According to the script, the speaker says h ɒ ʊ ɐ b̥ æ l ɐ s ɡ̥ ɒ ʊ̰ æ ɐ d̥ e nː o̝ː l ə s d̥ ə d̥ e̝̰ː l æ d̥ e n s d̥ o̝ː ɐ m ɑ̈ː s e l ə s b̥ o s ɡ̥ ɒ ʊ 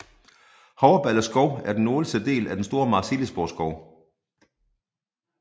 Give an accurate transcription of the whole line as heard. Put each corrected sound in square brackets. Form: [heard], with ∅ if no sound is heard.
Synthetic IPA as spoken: h ɒ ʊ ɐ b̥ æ l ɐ s ɡ̥ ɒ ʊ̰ æ ɐ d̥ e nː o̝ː l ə s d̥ ə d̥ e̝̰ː l æ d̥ e n s d̥ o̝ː ɐ m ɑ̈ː s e l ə s b̥ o s ɡ̥ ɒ ʊ